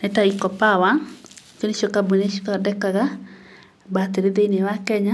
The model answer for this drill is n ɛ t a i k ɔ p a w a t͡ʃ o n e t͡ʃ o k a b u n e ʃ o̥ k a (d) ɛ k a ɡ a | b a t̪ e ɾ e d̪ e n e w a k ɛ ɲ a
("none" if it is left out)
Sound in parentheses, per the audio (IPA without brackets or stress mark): d